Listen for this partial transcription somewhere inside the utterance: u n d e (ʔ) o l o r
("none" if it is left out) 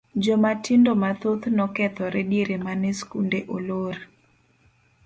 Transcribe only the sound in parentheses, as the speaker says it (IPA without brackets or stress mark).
ʔ